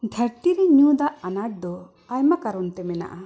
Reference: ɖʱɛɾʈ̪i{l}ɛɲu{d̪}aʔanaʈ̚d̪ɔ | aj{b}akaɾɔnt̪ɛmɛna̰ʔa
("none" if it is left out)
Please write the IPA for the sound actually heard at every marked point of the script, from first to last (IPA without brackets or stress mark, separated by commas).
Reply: ɾ, d̪, m